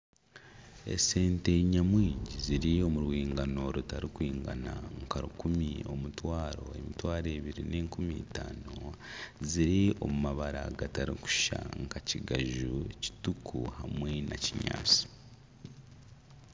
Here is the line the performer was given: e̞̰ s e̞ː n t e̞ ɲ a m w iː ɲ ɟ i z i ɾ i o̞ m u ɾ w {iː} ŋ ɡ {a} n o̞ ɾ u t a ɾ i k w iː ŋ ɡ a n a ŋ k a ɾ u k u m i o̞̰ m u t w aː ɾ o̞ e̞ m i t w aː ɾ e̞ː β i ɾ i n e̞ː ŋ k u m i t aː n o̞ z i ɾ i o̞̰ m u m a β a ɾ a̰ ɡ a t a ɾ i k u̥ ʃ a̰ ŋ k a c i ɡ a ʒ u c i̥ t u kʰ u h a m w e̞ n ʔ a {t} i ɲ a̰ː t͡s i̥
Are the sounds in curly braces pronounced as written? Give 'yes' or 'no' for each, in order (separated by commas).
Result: yes, yes, no